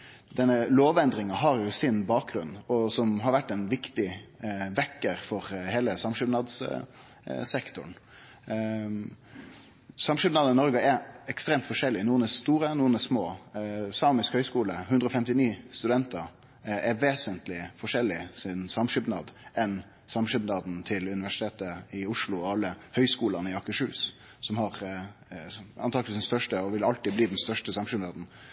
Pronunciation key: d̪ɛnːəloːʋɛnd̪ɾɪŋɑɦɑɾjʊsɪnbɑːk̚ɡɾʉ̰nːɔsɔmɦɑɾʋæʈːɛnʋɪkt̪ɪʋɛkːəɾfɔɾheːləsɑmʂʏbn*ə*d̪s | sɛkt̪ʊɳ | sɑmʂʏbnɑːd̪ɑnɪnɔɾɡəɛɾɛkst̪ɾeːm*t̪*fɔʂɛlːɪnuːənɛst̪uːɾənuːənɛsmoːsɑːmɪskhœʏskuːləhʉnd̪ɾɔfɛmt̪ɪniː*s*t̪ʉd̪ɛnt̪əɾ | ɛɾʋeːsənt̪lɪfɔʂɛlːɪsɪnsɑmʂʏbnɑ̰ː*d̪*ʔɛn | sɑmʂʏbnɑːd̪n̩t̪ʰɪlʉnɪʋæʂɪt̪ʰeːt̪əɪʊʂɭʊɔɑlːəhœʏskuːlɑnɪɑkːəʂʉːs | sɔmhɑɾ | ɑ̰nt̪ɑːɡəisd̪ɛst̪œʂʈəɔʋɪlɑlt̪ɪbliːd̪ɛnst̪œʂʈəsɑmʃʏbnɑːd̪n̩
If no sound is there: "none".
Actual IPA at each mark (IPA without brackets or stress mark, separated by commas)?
ɑ, t̪, s, d̪